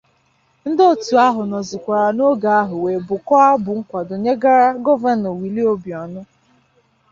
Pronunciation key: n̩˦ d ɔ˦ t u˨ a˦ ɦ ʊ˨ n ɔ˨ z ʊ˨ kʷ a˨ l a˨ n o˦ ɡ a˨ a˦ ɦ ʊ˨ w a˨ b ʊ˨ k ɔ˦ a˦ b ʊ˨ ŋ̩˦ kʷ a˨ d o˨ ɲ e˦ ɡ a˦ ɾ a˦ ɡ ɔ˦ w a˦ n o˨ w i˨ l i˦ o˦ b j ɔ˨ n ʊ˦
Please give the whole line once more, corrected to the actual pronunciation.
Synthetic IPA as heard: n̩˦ d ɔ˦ t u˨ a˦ ɦ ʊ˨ n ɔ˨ z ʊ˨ kʷ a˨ ɾ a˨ n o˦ ɡ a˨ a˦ ɦ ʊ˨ w e˨ b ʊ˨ k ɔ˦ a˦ b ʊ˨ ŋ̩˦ kʷ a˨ d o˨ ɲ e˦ ɡ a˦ ɾ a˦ ɡ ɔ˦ v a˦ n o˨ w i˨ l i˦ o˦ b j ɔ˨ n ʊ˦